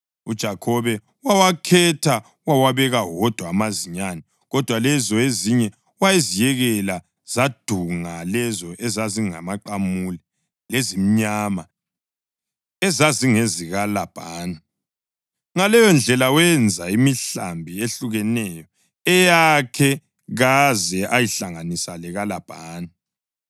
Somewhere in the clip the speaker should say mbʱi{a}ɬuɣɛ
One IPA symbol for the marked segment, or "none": e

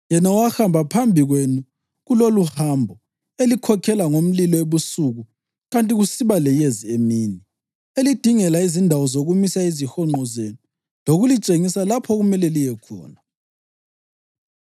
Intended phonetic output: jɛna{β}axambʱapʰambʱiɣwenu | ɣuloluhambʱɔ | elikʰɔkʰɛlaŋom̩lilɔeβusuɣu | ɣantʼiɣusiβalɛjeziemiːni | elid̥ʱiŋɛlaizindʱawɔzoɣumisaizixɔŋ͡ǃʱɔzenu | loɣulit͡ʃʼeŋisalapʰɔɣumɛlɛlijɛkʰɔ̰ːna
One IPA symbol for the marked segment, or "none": w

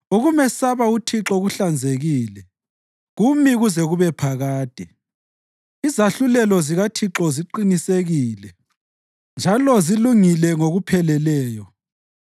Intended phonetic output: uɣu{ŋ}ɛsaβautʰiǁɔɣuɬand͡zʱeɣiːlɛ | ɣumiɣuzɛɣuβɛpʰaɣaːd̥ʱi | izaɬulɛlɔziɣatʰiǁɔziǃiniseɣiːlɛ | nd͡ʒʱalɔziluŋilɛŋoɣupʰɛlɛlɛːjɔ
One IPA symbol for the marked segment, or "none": m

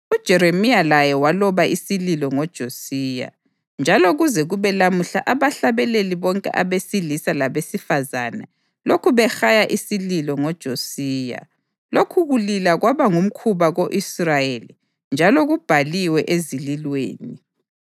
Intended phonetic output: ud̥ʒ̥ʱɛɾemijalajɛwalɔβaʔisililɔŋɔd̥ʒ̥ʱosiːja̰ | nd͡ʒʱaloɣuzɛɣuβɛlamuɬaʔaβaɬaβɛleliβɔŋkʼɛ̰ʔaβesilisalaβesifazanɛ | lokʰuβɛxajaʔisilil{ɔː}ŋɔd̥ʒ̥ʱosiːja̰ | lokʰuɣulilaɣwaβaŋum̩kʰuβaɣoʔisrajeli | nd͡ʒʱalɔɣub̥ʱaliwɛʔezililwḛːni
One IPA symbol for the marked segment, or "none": ɔ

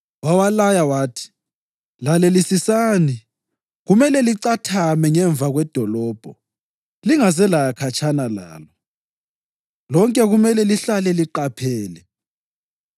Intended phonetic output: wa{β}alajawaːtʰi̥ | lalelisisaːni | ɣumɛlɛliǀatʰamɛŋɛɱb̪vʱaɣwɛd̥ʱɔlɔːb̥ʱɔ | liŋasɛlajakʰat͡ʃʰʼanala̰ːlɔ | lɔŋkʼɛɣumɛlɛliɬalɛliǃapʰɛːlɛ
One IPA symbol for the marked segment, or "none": w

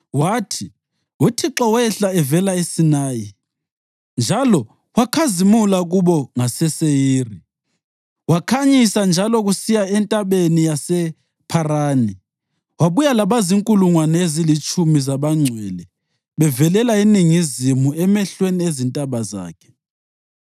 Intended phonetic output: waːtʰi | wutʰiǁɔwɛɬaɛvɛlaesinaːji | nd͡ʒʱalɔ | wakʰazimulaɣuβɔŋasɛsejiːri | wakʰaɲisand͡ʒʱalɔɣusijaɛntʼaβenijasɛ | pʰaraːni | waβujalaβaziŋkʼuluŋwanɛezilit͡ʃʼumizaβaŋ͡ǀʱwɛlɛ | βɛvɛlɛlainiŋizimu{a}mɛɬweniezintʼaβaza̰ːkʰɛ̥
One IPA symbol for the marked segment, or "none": ɛ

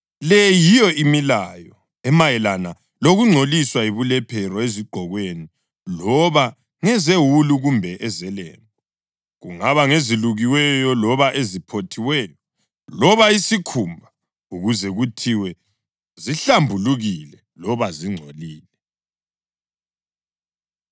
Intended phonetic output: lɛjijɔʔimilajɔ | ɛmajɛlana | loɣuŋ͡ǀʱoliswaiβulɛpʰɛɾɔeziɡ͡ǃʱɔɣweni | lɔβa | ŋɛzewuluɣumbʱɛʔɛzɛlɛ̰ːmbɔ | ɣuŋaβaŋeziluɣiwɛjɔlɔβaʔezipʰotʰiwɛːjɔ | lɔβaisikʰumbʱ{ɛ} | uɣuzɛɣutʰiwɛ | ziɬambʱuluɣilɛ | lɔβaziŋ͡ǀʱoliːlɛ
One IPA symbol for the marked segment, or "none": a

